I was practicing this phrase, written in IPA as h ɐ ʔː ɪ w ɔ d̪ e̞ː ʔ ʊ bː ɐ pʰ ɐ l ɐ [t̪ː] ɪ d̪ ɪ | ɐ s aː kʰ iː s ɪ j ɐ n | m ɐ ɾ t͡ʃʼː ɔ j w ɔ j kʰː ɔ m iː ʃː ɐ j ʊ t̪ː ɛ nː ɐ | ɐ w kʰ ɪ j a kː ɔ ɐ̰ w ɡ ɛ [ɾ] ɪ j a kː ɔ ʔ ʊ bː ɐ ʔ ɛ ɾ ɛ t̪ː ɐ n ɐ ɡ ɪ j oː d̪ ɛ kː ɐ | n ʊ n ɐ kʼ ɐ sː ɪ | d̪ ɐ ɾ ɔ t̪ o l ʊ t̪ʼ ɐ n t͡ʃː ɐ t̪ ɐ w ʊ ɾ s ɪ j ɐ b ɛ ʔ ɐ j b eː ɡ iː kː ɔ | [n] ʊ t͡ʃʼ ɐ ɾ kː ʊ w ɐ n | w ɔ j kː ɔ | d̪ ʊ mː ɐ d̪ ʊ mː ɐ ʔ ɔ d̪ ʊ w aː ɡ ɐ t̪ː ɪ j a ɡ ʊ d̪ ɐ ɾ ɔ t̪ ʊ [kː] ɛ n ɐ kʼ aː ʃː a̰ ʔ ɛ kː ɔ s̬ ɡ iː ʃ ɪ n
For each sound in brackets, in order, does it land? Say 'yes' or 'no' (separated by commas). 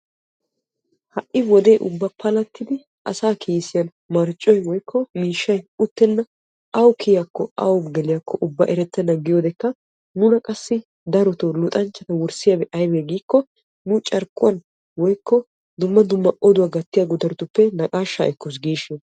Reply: yes, no, yes, no